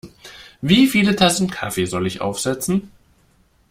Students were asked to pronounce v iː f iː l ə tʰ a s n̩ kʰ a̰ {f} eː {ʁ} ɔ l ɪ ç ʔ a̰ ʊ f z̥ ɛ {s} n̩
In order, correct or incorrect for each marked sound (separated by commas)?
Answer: correct, incorrect, incorrect